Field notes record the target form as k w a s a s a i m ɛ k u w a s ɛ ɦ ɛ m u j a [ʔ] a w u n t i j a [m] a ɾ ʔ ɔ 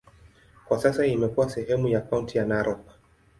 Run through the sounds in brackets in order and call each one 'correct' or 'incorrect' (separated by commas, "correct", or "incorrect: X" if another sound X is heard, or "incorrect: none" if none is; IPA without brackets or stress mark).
incorrect: k, incorrect: n